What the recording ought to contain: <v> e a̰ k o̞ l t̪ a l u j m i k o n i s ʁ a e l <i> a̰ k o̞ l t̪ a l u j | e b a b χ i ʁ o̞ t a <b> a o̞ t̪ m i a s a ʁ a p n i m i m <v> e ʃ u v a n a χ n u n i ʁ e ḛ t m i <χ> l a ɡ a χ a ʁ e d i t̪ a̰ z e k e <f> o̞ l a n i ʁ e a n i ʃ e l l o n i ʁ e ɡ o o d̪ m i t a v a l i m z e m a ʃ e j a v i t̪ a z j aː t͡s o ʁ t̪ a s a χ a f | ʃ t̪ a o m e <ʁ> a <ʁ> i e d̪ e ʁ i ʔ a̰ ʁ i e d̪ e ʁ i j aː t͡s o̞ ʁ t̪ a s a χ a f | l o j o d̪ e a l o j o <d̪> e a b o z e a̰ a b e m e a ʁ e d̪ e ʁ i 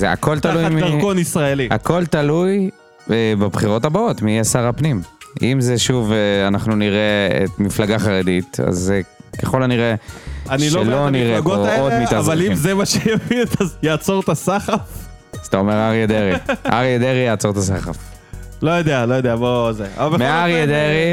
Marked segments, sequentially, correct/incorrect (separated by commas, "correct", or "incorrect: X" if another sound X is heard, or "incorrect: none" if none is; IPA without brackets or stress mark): incorrect: z, correct, correct, incorrect: z, incorrect: f, incorrect: χ, correct, correct, correct